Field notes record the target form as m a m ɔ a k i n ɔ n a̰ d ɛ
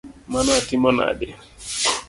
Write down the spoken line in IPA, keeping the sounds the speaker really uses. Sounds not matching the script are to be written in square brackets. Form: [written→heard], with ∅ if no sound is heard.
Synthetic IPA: m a [m→n] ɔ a [k→t] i [n→m] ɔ n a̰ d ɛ